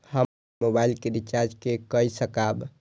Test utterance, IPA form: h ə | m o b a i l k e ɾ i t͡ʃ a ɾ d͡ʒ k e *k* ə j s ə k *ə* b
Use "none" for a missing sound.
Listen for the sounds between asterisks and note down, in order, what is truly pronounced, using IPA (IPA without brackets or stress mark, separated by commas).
k, a